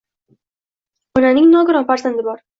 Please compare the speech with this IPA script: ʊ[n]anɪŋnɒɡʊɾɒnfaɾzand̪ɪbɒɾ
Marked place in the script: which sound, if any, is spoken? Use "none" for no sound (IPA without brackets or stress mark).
n